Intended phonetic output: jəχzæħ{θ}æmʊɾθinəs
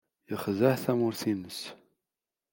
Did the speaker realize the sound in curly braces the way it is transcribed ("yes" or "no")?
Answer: yes